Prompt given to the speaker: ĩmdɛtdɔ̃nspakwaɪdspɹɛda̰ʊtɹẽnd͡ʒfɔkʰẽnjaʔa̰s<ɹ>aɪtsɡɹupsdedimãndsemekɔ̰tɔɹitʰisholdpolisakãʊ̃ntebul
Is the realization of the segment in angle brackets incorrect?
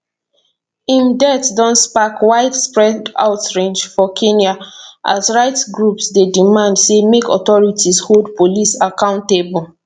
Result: no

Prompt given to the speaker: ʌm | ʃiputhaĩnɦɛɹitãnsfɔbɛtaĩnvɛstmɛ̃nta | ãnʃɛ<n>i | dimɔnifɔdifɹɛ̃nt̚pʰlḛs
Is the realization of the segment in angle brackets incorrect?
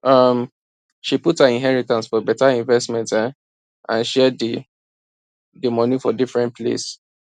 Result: yes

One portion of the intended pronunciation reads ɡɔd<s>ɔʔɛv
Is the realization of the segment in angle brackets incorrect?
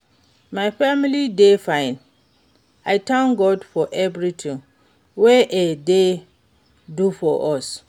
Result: yes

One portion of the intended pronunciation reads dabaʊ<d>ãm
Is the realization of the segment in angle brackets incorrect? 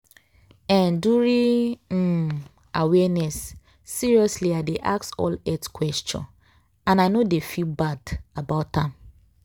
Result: yes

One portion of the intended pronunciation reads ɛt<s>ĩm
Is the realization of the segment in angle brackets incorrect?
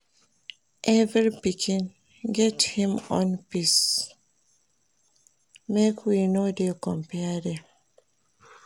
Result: yes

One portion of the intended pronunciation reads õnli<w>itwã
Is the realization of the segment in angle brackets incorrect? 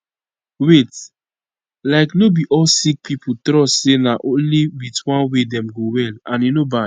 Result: no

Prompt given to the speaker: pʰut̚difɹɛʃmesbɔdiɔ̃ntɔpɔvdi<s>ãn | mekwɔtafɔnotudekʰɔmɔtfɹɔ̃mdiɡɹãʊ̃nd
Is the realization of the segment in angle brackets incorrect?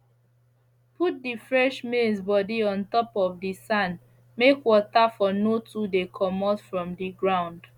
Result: no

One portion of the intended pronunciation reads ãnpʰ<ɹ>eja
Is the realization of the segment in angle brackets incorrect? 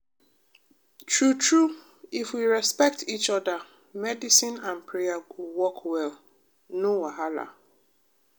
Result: no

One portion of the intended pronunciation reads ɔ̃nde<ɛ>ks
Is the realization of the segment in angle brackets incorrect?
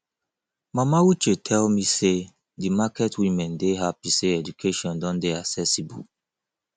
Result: yes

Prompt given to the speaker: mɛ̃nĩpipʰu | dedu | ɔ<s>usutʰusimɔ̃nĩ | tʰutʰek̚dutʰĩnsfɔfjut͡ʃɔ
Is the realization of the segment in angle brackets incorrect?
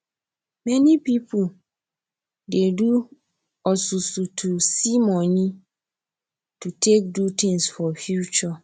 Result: no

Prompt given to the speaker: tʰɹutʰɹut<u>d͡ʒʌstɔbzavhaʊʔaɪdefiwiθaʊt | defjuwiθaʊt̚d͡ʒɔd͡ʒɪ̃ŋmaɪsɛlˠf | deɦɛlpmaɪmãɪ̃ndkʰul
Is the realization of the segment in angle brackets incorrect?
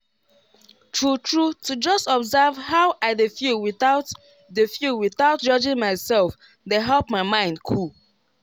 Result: no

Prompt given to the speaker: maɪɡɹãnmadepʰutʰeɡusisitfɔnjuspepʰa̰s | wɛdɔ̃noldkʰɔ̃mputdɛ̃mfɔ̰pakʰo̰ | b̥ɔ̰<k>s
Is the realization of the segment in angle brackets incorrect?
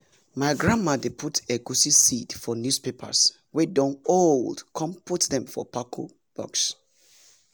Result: no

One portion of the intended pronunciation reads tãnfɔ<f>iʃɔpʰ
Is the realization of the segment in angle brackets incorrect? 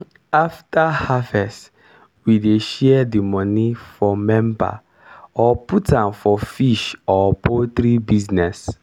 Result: no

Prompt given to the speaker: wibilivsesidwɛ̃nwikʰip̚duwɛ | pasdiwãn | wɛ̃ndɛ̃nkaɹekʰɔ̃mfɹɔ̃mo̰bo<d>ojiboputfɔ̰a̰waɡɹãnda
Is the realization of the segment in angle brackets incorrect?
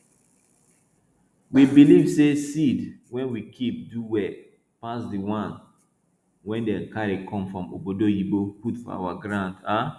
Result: no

